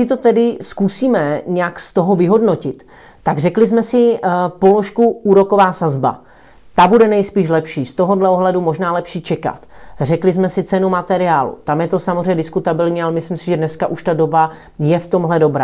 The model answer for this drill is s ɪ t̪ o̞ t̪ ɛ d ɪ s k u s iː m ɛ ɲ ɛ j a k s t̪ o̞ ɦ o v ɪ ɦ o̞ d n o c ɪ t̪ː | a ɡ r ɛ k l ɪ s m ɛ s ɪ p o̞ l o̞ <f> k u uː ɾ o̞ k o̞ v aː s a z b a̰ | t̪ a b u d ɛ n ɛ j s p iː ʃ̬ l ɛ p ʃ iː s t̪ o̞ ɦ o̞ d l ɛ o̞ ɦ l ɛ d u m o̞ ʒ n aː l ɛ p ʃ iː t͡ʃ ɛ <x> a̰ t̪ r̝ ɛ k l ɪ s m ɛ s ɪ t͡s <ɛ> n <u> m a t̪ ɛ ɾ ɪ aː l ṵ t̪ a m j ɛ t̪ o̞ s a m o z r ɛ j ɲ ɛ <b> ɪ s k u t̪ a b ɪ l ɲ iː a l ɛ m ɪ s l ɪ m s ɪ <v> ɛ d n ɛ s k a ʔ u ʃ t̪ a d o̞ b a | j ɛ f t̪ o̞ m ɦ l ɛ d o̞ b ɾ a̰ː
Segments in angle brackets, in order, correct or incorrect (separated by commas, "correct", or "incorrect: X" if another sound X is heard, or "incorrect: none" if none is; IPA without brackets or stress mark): incorrect: ʃ, incorrect: k, correct, correct, incorrect: d, incorrect: ʒ